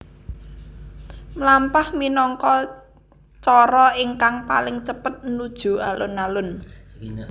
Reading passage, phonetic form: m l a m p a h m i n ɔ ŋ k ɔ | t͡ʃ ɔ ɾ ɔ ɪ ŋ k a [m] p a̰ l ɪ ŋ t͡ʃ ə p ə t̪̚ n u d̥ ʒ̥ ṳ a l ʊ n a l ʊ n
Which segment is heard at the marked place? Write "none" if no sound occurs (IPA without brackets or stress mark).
ŋ